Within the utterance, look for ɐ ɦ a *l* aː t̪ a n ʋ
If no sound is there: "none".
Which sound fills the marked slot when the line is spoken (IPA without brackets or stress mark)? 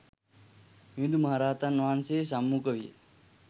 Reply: ɾ